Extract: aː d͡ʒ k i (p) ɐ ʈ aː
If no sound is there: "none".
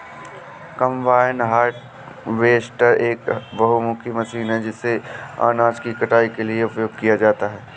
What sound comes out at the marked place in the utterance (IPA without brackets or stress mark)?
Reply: k